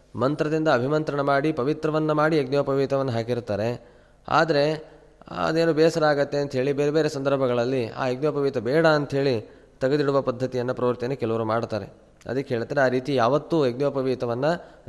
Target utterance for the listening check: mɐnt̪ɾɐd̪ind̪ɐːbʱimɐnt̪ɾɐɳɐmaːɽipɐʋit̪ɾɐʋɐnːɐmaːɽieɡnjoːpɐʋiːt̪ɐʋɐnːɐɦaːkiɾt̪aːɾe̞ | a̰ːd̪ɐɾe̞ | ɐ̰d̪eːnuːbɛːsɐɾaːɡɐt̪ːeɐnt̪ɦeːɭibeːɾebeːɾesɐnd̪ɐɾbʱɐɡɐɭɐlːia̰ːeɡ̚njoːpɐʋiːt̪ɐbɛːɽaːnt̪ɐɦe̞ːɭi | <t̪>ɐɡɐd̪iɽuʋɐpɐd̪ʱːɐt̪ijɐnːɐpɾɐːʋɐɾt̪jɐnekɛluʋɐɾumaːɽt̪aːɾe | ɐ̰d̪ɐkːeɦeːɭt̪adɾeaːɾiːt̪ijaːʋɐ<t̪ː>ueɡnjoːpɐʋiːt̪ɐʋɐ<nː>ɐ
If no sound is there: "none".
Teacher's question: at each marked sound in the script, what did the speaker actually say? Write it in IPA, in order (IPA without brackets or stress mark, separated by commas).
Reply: t̪, t̪ː, nː